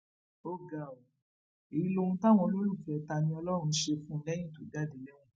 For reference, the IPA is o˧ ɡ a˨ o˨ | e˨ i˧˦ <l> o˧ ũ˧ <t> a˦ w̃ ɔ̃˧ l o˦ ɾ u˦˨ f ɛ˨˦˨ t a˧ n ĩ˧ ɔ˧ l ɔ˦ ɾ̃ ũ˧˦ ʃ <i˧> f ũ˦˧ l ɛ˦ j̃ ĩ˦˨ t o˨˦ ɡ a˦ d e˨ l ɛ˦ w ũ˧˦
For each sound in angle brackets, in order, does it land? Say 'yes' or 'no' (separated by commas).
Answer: yes, yes, no